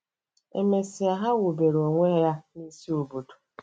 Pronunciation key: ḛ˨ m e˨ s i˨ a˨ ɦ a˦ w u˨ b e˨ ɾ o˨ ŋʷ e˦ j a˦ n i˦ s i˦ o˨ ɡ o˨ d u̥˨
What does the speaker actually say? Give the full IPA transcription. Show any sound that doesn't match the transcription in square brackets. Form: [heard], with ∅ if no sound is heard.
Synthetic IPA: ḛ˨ m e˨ s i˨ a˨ ɦ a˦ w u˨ b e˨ ɾ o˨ ŋʷ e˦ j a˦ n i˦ s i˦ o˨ [b] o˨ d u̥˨